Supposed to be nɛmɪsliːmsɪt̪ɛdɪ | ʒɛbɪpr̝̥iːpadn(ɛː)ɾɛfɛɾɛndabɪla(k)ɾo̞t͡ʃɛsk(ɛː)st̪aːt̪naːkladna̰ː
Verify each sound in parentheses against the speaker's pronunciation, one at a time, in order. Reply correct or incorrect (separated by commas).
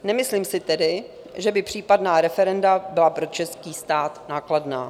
incorrect, incorrect, incorrect